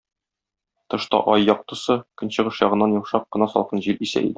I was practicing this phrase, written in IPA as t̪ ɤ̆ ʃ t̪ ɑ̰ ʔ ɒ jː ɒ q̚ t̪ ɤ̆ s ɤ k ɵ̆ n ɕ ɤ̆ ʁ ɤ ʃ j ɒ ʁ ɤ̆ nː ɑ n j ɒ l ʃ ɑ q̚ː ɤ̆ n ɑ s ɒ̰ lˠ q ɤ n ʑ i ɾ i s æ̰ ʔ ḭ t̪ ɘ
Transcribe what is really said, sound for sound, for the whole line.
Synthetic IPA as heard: t̪ ɤ̆ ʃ t̪ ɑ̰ ʔ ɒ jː ɒ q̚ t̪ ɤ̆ s ɤ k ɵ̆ n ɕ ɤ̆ ʁ ɤ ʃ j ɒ ʁ ɤ̆ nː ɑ n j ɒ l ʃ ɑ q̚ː ɤ̆ n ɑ s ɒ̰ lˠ q ɤ n ʑ i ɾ i s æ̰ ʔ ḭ d̪ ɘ